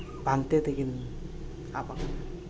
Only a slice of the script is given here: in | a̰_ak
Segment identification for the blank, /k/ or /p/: p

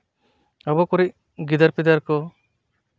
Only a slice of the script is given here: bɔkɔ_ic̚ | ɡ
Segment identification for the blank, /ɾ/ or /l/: ɾ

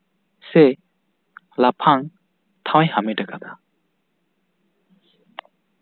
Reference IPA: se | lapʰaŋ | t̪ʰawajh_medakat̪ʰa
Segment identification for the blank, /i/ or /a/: a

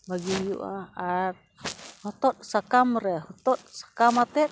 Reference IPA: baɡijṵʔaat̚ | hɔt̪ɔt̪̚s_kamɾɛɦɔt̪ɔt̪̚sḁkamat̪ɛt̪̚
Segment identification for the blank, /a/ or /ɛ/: a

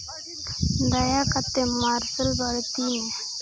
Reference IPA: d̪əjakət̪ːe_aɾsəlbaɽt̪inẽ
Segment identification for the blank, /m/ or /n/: m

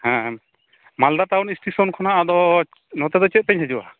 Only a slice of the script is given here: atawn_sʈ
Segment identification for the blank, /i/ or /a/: i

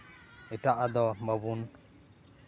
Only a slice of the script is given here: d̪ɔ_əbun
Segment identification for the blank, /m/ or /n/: m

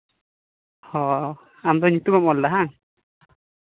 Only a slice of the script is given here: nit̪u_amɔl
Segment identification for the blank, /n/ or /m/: m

